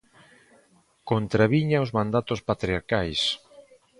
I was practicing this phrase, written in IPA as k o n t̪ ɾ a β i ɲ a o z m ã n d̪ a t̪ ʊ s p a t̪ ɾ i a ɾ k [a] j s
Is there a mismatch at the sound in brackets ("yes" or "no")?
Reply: no